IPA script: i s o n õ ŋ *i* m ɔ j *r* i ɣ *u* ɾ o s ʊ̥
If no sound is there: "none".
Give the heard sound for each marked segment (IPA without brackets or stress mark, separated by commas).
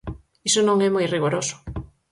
ɛ, r, o